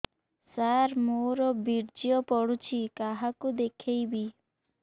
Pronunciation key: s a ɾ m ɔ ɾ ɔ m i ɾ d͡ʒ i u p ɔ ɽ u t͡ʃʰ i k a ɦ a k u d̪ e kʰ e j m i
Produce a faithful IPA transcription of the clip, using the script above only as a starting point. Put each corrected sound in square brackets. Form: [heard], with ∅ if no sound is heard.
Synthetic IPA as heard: s a ɾ m [o] ɾ ɔ [b] i ɾ d͡ʒ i [ɔ] p ɔ ɽ u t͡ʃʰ i k a ɦ a k u d̪ e kʰ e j [b] i